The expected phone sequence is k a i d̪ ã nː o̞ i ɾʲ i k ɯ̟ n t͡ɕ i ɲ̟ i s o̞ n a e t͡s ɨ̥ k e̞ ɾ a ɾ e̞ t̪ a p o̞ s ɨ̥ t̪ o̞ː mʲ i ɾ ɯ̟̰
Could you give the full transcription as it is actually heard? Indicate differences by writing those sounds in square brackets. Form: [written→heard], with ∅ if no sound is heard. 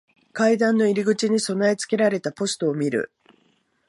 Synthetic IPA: k a i d̪ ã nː o̞ i ɾʲ i [k→ɡ] ɯ̟ [n→∅] t͡ɕ i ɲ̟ i s o̞ n a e t͡s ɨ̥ k e̞ ɾ a ɾ e̞ t̪ a p o̞ s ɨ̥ t̪ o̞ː mʲ i ɾ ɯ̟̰